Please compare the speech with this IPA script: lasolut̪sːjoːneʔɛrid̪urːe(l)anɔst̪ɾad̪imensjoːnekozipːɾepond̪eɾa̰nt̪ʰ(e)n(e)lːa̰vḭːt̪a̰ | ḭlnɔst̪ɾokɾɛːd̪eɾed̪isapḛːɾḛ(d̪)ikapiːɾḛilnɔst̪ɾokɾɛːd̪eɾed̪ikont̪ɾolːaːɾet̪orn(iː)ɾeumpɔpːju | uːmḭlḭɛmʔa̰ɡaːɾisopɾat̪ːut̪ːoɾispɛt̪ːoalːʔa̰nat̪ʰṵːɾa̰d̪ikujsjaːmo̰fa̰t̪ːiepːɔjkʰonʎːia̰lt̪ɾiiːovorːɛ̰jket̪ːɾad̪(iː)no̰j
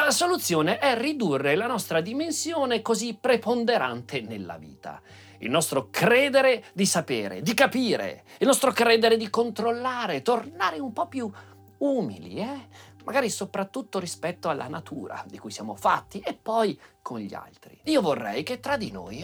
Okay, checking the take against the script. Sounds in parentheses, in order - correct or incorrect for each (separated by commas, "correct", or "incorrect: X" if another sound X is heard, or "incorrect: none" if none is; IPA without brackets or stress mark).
correct, correct, correct, correct, incorrect: aː, incorrect: i